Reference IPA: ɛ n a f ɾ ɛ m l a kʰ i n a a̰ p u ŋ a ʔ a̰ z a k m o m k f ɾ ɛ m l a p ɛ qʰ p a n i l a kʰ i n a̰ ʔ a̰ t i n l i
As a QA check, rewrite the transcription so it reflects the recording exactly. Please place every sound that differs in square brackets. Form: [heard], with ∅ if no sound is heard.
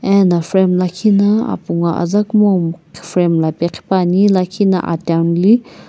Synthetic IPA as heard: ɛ n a f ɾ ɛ m l a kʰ i n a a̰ p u ŋ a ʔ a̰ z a k m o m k f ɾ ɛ m l a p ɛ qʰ p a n i l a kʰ i n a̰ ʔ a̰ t [a] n l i

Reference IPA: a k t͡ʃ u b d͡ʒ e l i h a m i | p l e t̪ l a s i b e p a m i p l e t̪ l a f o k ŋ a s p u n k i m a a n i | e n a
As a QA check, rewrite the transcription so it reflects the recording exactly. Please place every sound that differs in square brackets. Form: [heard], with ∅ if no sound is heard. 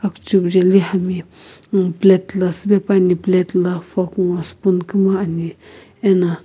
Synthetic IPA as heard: a k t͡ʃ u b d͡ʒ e l i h a m i | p l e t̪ l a s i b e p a [n] i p l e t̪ l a f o k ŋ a s p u n k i m a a n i | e n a

